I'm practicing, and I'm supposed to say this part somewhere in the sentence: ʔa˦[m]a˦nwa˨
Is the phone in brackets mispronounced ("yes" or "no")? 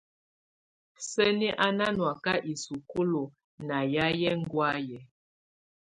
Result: yes